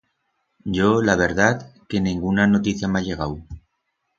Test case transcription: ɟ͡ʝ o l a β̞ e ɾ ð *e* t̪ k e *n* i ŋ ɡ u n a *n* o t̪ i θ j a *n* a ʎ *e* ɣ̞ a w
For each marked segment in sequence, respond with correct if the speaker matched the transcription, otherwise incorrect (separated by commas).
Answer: incorrect, correct, correct, incorrect, correct